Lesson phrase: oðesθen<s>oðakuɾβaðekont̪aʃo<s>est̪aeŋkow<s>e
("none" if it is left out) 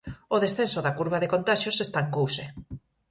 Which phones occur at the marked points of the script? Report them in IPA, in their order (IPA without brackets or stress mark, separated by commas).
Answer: s, s, s